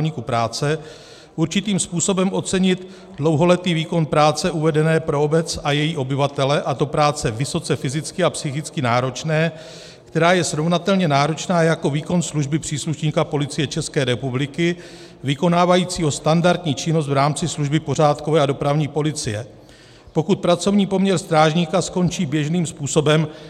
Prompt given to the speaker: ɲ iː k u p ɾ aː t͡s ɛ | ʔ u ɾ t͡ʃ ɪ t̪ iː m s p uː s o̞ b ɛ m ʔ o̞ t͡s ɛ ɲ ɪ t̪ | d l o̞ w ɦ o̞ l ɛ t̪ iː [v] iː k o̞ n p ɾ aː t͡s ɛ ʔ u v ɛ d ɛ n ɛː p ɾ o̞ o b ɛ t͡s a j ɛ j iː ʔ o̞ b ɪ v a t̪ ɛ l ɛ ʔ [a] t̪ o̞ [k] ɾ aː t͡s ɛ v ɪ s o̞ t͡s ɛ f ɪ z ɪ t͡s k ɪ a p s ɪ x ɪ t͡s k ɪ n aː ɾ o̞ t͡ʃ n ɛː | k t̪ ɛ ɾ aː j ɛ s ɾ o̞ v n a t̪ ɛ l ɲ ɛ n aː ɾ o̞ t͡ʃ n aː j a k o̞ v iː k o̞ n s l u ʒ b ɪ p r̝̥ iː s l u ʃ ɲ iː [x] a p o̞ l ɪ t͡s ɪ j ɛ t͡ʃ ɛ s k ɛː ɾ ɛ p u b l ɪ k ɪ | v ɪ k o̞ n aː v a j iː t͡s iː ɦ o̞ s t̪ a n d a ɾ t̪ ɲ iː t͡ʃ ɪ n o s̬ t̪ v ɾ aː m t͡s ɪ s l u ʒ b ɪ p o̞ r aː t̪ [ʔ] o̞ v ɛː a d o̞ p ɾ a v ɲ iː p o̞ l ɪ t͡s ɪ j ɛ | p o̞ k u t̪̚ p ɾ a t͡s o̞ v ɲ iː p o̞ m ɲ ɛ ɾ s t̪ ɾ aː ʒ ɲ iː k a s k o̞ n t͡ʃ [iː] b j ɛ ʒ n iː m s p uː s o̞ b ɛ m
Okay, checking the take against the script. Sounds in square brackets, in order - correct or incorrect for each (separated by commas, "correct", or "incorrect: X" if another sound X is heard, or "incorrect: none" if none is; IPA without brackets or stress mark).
correct, correct, incorrect: p, incorrect: k, incorrect: k, correct